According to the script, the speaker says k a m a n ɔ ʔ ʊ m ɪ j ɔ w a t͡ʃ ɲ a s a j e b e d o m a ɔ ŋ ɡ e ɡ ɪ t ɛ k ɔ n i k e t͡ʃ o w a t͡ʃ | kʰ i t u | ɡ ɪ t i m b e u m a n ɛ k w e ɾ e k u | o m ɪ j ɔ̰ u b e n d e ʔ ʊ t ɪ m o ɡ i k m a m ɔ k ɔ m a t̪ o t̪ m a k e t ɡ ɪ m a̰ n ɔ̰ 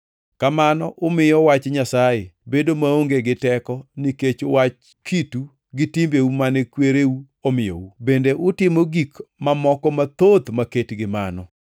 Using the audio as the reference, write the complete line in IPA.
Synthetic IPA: k a m a n ɔ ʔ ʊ m ɪ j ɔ w a t͡ʃ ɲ a s a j e b e d o m a o ŋ ɡ e ɡ ɪ t ɛ k ɔ n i k e t͡ʃ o w a t͡ʃ | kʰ i t u | ɡ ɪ t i m b e u m a n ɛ k w e ɾ e u | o m ɪ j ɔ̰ u b e n d e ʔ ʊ t ɪ m o ɡ i k m a m ɔ k ɔ m a t̪ o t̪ m a k e t ɡ ɪ m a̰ n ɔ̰